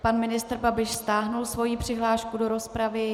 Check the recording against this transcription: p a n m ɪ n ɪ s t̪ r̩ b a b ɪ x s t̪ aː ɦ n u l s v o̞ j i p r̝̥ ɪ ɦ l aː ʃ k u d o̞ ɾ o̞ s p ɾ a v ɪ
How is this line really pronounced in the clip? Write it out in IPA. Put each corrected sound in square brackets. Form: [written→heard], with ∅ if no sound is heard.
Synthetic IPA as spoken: p a n m ɪ n ɪ s t̪ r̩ b a b ɪ [x→ʃ] s t̪ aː ɦ n u l s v o̞ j i p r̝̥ ɪ ɦ l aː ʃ k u d o̞ ɾ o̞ s p ɾ a v ɪ